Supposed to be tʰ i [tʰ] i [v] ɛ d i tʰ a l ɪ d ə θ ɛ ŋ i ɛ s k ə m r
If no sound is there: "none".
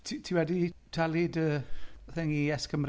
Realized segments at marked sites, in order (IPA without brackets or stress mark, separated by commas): tʰ, w